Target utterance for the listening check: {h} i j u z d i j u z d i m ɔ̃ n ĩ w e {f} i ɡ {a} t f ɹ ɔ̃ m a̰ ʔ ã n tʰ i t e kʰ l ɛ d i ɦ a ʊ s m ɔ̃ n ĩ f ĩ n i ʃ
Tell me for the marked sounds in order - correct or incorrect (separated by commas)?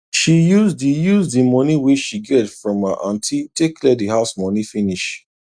incorrect, incorrect, incorrect